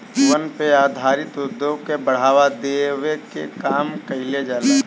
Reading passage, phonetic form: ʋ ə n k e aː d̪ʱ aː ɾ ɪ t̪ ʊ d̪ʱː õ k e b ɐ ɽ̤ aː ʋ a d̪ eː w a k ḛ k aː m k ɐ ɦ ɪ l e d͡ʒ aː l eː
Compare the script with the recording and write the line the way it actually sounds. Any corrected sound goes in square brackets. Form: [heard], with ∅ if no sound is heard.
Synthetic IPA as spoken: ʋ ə n [p] e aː d̪ʱ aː ɾ ɪ t̪ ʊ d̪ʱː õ k e b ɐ ɽ̤ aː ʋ a d̪ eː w [e] k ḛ k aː m k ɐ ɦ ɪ l e d͡ʒ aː l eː